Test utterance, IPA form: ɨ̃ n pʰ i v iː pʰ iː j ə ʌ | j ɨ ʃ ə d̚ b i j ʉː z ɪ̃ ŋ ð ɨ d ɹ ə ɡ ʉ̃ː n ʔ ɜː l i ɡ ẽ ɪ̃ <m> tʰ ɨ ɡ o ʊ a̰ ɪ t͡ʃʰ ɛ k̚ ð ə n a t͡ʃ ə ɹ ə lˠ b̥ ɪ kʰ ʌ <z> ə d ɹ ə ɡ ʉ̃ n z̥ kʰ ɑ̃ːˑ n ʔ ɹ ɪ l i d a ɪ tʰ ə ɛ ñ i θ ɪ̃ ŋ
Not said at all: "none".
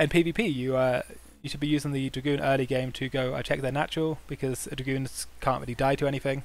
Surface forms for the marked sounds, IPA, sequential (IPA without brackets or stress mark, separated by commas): m, z